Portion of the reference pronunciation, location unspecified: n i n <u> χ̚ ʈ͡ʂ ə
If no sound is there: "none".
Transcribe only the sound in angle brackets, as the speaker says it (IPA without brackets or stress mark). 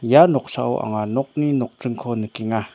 o